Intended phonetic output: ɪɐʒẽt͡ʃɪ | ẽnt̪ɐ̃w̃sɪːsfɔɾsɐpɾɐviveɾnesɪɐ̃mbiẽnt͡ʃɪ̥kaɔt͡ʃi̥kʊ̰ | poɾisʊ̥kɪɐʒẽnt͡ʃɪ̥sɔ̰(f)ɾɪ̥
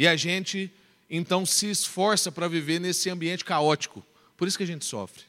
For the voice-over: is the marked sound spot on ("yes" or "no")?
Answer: yes